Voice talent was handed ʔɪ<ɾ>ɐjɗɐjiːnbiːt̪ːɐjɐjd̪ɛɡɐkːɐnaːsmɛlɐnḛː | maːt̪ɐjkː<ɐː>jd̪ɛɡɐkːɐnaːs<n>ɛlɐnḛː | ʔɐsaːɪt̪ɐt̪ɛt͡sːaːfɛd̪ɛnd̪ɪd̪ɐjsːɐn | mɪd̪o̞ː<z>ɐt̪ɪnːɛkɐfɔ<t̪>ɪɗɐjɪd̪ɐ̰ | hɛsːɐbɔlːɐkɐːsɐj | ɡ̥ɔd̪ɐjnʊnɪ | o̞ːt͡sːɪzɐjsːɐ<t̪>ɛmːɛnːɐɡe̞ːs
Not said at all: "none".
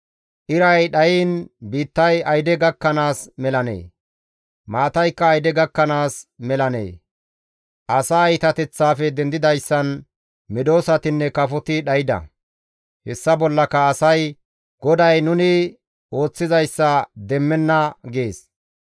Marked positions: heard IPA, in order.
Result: ɾ, ɐː, m, s, t̪, d̪

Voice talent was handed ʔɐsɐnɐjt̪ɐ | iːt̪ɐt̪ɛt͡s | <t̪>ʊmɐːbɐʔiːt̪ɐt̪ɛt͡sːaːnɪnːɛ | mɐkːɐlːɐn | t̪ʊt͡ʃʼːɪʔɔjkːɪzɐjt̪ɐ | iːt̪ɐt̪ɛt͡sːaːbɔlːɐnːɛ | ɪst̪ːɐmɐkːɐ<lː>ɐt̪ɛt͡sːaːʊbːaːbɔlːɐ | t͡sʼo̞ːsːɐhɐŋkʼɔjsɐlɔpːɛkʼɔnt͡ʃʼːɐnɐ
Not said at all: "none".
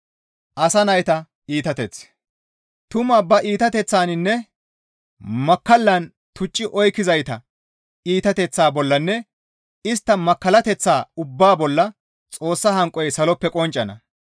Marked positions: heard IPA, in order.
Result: t̪, l

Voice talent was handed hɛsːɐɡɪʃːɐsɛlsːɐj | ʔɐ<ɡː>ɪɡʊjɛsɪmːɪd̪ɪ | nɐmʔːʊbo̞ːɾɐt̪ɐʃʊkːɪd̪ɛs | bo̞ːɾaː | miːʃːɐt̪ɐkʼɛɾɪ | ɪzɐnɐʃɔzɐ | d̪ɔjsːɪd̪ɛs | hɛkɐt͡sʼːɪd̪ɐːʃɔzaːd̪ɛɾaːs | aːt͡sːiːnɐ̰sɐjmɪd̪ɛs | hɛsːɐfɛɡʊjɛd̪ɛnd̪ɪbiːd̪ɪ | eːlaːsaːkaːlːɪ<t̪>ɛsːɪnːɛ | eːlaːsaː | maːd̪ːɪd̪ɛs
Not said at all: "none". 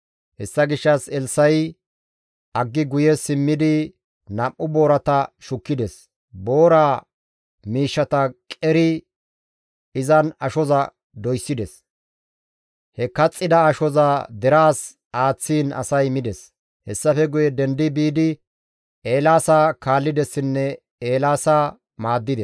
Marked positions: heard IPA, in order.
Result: ɡː, d̪

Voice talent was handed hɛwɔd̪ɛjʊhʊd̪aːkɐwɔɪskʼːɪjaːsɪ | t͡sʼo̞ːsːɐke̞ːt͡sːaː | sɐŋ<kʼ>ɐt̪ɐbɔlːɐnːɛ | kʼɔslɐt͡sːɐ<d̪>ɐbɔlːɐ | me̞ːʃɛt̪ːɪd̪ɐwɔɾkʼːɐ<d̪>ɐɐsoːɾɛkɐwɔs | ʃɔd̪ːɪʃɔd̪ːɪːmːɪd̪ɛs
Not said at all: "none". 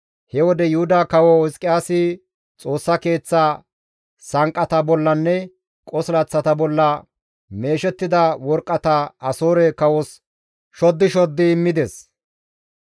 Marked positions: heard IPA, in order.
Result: kʼ, t̪, t̪

